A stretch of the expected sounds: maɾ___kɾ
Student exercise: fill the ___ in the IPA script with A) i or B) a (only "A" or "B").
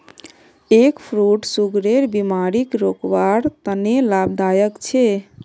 A